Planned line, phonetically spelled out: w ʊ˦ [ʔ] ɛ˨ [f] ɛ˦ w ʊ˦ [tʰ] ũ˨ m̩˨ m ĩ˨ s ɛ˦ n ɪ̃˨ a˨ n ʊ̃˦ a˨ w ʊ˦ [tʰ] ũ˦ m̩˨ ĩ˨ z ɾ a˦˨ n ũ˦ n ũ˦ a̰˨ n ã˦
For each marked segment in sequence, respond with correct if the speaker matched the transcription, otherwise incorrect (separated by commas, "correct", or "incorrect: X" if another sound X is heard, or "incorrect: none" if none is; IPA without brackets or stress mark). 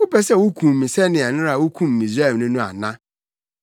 incorrect: p, incorrect: s, incorrect: kʰ, incorrect: kʰ